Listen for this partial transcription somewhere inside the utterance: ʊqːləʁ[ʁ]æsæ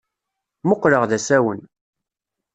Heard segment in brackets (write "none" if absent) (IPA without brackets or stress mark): ð